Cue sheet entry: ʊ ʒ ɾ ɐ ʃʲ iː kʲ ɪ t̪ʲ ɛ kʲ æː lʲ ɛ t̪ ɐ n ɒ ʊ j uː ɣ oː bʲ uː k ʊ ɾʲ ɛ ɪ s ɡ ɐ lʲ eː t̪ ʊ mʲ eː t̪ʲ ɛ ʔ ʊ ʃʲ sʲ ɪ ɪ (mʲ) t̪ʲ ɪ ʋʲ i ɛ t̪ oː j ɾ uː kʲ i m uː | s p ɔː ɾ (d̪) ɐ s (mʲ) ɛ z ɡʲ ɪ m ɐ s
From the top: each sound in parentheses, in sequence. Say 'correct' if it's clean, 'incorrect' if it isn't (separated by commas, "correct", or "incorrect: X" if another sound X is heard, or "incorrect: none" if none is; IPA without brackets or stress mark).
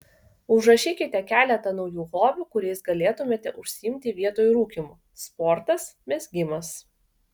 correct, incorrect: t̪, correct